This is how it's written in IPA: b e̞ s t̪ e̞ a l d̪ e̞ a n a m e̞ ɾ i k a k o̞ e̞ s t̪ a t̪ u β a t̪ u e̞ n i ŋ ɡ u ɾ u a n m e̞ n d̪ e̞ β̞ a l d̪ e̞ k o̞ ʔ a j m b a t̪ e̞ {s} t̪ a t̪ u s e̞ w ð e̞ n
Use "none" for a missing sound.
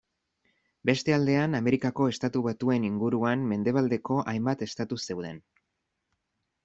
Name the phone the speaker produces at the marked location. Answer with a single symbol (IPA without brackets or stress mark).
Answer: s